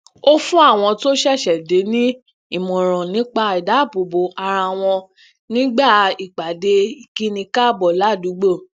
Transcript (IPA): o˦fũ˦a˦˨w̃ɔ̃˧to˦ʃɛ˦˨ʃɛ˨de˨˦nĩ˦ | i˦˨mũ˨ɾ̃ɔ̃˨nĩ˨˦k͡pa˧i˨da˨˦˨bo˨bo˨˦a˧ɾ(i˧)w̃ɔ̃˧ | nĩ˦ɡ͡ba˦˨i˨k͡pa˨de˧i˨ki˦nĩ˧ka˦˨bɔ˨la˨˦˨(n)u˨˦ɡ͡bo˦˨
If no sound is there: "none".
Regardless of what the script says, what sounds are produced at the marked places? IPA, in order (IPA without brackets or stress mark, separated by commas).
a˧, d